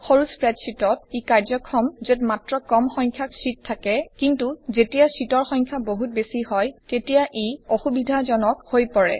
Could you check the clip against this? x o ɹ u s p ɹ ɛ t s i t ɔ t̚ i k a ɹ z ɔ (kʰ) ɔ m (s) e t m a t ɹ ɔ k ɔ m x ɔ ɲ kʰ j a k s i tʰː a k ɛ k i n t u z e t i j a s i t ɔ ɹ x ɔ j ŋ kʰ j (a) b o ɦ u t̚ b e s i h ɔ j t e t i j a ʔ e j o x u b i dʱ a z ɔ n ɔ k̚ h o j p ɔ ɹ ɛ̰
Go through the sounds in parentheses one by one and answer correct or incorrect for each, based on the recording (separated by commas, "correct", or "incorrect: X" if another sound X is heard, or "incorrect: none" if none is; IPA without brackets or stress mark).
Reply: correct, incorrect: z, correct